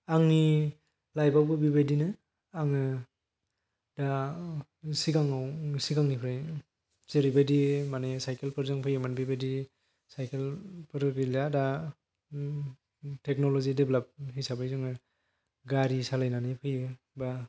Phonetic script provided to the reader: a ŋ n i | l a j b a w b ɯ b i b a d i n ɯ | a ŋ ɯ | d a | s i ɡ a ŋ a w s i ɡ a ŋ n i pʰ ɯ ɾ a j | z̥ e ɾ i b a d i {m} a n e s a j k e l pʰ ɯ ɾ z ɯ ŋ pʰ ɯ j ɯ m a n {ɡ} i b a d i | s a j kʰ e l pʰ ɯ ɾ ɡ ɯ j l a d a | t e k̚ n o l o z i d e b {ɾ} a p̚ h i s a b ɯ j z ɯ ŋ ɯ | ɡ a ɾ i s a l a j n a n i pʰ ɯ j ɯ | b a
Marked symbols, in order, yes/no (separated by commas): yes, no, no